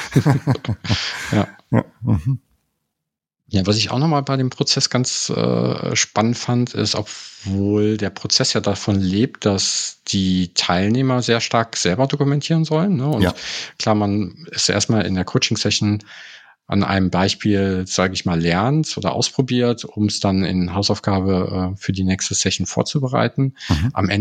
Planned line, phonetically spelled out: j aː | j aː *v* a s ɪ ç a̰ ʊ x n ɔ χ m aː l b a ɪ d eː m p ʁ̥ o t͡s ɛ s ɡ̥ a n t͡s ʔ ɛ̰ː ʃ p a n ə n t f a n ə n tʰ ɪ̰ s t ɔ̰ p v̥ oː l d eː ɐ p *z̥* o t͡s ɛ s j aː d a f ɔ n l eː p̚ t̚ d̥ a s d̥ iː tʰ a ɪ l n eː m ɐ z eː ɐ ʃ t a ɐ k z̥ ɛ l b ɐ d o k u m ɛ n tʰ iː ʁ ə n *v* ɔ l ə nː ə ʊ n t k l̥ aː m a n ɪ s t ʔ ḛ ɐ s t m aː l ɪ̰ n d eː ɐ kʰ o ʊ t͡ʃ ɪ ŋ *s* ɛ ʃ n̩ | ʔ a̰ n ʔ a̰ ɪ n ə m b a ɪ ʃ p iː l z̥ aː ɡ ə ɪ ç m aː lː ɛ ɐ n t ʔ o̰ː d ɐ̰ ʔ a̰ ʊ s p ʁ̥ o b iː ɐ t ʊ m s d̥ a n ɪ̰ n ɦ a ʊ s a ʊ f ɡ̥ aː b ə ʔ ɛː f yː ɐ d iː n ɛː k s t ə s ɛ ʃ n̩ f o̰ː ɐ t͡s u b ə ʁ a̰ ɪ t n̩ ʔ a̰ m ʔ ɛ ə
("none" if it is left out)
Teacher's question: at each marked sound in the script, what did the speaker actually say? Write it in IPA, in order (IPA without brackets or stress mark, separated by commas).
v, ʁ̥, z, s